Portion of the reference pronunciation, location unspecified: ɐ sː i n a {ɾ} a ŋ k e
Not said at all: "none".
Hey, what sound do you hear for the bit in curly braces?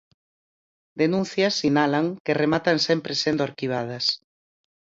l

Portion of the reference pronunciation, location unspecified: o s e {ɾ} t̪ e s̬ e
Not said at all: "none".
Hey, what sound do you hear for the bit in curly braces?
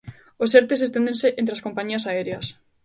ɾ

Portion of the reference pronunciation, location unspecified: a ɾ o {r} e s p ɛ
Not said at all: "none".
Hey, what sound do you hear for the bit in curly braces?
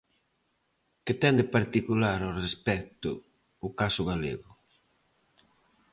r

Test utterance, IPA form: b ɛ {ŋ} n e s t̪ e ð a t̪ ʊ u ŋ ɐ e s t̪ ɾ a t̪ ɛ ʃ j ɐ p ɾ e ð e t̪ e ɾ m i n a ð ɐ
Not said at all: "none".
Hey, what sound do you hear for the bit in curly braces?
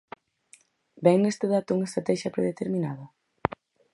ŋ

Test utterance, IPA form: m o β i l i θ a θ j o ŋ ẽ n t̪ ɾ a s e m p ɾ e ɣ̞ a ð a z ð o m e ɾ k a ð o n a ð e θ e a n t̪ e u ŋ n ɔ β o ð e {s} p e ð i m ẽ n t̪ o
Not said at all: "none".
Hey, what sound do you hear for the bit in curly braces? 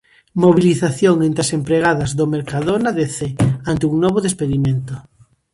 s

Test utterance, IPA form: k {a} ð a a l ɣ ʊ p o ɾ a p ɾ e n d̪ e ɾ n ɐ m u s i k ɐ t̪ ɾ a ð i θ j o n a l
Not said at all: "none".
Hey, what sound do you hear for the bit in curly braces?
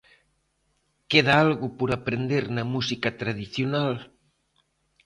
e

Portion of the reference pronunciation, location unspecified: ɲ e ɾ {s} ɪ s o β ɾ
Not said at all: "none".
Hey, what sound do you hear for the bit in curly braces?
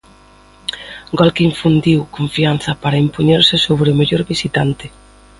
s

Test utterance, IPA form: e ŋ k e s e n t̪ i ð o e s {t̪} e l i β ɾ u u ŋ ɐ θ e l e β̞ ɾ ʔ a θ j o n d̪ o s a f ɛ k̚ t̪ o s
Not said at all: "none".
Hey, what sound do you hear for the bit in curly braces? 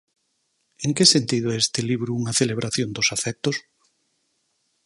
t̪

